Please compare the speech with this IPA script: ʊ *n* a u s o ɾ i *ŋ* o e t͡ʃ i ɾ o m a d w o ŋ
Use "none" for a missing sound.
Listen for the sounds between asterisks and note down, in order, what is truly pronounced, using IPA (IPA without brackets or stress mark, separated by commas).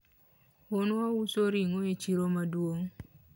n, ŋ